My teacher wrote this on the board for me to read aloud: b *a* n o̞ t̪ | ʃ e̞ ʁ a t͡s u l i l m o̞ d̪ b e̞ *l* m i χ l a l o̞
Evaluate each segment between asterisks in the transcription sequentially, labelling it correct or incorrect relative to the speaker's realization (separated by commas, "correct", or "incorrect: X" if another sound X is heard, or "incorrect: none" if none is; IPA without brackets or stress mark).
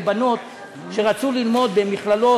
correct, incorrect: none